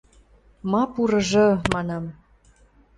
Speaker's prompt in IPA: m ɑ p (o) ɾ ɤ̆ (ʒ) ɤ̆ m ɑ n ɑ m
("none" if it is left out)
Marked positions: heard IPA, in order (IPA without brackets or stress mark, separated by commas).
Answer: u, ʒ